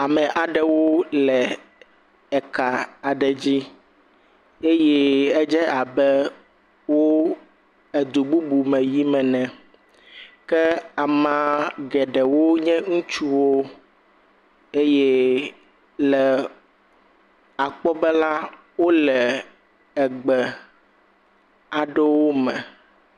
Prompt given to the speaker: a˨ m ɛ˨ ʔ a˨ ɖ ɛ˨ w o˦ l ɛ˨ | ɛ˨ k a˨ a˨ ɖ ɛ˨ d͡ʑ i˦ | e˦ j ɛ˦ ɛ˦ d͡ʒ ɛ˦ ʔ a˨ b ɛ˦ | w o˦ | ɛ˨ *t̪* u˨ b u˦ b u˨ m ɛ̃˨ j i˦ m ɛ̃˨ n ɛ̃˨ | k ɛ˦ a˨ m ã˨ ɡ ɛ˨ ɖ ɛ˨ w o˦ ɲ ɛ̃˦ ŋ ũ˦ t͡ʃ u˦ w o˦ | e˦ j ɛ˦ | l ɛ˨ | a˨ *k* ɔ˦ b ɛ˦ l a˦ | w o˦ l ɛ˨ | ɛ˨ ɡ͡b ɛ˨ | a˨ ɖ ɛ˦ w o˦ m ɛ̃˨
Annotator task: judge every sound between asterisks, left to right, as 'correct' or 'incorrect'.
incorrect: d̪, incorrect: k͡p

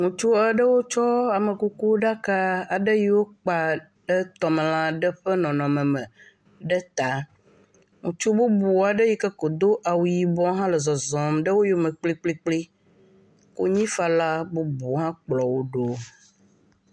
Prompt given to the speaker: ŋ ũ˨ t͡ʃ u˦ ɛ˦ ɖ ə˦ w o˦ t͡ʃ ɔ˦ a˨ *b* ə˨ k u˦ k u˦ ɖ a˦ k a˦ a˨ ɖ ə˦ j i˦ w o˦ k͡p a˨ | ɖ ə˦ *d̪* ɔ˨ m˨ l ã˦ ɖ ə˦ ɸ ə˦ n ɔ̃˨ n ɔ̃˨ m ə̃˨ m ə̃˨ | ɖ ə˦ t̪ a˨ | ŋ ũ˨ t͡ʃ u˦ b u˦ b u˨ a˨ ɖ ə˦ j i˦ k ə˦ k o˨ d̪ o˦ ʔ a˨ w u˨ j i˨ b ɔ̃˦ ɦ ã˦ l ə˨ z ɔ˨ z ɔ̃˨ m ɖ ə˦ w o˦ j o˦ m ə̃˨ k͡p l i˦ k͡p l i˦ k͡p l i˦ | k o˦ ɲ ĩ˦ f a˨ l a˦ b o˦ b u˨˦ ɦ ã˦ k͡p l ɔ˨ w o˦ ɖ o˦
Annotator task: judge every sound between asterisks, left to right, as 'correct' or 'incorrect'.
incorrect: m, incorrect: t̪

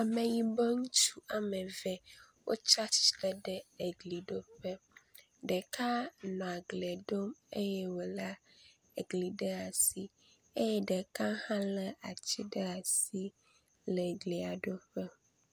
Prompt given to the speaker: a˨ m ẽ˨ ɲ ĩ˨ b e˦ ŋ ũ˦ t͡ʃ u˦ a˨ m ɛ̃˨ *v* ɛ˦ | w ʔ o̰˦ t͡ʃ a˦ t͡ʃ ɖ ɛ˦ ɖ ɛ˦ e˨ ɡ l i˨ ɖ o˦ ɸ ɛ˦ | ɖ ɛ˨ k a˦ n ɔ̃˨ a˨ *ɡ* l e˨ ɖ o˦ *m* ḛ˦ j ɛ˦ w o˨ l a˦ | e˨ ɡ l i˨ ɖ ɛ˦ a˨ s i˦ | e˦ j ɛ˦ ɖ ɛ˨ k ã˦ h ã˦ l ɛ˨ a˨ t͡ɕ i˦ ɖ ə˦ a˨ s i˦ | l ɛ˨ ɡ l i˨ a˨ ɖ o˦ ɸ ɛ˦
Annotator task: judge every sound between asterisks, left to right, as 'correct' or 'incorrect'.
correct, correct, correct

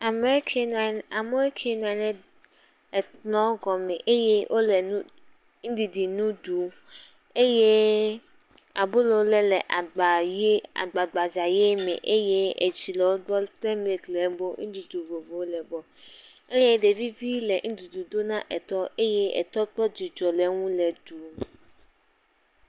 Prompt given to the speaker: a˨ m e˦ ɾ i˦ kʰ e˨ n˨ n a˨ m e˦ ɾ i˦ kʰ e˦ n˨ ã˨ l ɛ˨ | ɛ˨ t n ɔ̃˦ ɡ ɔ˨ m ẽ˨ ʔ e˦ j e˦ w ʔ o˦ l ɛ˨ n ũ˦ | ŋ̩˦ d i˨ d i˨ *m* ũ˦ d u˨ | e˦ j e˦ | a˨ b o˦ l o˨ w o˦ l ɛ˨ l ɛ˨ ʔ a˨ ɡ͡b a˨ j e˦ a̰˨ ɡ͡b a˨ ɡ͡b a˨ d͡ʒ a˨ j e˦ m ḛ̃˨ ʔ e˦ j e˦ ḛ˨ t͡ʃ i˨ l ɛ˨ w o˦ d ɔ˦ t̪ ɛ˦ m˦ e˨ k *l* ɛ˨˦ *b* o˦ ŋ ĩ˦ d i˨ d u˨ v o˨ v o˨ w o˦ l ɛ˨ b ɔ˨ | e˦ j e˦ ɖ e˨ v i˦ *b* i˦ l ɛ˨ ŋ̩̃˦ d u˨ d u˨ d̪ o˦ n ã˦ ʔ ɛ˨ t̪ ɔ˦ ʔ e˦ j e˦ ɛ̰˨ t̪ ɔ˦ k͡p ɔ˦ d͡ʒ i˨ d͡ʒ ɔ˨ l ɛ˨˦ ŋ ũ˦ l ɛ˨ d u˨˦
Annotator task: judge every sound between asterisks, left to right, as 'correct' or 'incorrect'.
incorrect: n, correct, correct, incorrect: v

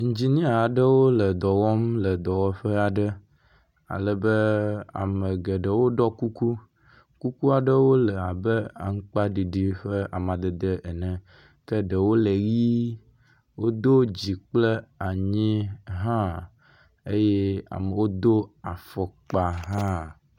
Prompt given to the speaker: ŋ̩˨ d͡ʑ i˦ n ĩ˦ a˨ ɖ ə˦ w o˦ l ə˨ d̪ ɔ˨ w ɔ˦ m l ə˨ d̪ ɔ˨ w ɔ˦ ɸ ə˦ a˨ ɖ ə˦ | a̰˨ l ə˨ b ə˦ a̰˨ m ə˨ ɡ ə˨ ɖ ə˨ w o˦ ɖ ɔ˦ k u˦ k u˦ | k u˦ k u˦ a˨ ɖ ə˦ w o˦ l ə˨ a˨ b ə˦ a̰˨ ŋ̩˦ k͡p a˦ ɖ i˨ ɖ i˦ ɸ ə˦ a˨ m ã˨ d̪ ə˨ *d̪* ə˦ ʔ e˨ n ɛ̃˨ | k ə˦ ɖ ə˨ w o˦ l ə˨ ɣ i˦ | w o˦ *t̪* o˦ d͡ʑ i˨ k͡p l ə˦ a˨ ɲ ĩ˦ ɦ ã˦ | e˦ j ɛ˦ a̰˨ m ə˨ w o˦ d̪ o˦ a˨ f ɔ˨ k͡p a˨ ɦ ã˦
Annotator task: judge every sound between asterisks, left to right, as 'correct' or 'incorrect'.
correct, incorrect: d̪

